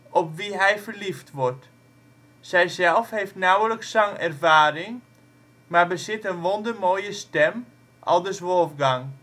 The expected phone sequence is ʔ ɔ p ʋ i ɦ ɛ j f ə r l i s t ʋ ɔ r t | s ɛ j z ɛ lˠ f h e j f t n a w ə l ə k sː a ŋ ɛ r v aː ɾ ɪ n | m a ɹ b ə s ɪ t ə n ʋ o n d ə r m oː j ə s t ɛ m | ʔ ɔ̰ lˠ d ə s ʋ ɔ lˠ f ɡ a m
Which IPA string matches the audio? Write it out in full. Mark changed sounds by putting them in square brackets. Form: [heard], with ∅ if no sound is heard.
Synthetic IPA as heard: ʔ ɔ p ʋ i ɦ ɛ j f ə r l i [f] t ʋ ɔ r t | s ɛ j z ɛ lˠ f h e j f t n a w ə l ə k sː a ŋ ɛ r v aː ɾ ɪ [ŋ] | m a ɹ b ə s ɪ t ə n ʋ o n d ə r m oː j ə s t ɛ m | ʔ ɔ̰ lˠ d ə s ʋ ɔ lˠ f ɡ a [ŋ]